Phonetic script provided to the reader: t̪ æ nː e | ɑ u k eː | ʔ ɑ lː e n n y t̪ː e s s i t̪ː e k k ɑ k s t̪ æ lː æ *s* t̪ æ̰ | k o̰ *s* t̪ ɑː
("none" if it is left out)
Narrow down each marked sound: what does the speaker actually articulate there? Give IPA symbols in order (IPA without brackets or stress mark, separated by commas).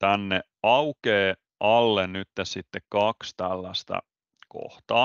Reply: s, h